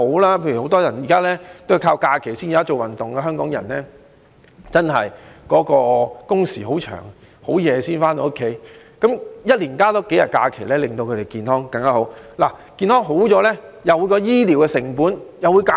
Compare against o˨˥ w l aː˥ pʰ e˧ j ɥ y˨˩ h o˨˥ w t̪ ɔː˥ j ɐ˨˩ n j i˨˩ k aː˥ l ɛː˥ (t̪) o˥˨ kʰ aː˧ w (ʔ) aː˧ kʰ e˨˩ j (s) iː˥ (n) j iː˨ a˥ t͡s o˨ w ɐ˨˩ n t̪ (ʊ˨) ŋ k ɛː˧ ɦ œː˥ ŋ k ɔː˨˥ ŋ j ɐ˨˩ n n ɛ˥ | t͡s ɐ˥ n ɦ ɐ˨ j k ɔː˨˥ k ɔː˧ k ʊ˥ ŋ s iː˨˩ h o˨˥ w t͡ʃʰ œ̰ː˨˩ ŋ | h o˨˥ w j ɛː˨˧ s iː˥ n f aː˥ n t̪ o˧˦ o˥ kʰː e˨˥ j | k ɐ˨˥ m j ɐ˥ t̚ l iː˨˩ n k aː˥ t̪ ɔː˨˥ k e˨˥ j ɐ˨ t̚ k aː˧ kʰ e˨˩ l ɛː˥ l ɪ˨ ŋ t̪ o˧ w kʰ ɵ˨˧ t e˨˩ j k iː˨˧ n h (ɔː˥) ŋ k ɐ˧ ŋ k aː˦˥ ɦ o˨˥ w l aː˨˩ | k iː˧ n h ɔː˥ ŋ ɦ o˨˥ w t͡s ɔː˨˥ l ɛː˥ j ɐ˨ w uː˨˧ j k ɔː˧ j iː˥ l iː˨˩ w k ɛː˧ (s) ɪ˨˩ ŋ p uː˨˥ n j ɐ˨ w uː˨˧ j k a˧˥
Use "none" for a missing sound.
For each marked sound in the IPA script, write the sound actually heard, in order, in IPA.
t̪, k, s, n, ʊ˨, ɔː˥, s

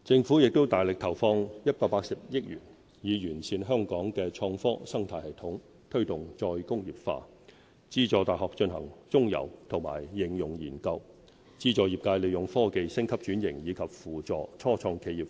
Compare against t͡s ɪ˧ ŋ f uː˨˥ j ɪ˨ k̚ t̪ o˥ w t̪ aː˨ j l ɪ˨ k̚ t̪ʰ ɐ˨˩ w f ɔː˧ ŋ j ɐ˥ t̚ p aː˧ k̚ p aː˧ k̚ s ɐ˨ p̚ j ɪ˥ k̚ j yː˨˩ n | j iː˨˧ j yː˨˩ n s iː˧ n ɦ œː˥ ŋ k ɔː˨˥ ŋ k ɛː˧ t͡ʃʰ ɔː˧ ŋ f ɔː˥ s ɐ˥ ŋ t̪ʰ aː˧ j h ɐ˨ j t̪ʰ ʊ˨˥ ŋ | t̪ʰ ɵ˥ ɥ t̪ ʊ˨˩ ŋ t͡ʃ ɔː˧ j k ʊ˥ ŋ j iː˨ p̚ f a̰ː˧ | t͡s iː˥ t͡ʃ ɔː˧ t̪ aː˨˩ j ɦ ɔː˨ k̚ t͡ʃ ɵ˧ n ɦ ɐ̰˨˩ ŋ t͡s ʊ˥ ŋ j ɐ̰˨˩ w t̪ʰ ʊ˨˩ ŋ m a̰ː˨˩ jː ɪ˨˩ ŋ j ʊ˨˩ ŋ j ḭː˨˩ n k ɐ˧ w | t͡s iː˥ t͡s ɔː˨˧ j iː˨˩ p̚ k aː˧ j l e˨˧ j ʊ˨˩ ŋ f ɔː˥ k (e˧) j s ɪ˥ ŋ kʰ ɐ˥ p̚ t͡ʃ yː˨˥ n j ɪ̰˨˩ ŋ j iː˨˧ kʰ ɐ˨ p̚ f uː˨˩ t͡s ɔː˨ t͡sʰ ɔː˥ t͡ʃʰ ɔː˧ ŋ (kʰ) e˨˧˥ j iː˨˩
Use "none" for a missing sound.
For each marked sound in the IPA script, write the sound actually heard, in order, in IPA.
e˧, kʰ

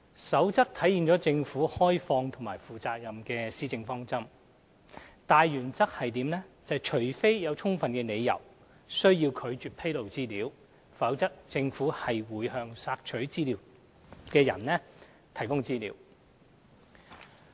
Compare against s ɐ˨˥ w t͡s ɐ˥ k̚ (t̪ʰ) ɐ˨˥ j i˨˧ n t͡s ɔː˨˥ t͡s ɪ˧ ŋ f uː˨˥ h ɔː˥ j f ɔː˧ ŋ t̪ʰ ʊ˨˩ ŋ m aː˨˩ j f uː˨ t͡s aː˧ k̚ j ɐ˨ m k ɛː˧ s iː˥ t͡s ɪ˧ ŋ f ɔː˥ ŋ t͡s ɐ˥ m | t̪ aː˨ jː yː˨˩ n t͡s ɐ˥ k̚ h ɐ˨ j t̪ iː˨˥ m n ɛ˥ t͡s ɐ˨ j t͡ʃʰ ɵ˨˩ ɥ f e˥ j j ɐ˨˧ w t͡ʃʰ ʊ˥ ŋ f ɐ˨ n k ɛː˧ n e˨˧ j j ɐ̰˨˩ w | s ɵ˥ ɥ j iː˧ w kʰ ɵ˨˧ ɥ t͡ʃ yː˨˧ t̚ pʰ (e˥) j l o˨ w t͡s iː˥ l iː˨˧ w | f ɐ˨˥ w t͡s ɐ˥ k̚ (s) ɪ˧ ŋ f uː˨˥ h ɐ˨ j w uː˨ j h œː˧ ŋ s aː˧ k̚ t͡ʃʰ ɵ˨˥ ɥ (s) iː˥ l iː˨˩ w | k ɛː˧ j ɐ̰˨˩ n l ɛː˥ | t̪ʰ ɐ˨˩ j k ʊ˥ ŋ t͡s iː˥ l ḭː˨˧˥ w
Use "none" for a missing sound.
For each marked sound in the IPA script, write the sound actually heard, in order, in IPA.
t̪ʰ, e˥, t͡s, t͡s

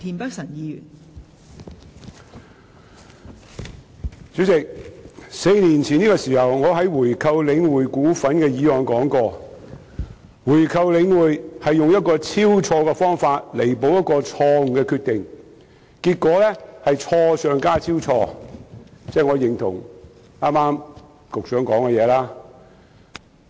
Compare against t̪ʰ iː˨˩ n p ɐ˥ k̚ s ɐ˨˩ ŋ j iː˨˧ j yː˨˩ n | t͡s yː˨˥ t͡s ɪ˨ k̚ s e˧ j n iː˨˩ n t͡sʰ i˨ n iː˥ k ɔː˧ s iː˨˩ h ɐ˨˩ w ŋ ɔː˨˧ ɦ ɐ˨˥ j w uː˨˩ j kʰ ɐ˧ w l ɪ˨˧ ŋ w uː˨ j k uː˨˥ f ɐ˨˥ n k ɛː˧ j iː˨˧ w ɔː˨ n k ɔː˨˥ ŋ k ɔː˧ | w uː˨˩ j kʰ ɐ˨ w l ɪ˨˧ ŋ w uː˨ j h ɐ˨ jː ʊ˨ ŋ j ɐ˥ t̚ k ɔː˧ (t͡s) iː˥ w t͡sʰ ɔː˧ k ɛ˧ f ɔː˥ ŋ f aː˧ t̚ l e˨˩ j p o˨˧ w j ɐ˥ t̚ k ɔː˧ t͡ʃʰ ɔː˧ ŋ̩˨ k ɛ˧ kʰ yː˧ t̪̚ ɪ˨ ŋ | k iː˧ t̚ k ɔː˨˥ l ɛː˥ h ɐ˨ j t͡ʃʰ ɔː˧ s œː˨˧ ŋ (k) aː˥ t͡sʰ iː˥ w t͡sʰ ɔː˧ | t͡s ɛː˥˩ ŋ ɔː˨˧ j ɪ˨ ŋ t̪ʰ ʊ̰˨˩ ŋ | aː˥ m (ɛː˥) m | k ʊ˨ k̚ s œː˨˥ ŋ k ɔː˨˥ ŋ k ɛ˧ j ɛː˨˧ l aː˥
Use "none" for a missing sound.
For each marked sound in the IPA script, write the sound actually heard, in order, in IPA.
t͡sʰ, k, aː˥

